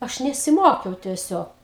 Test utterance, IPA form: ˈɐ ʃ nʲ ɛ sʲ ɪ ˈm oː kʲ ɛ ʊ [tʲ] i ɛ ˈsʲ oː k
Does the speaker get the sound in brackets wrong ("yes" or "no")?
no